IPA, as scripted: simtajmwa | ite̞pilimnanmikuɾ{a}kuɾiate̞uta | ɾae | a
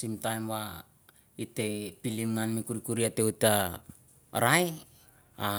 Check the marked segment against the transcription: incorrect: i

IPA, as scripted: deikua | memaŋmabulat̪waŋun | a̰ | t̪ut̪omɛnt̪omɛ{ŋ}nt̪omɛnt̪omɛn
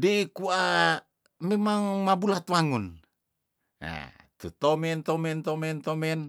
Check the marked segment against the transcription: incorrect: none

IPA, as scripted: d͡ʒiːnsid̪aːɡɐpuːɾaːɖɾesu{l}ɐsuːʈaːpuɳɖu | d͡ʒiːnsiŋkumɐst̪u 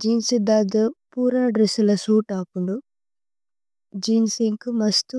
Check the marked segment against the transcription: correct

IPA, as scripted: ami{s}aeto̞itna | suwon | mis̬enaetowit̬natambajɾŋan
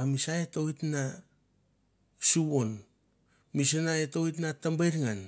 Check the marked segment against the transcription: correct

